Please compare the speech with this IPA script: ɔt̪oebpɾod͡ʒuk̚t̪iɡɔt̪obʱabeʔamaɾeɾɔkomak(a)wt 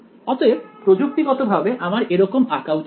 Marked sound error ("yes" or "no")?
no